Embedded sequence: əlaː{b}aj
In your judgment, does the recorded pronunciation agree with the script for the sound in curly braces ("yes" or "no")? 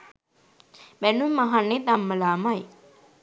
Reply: no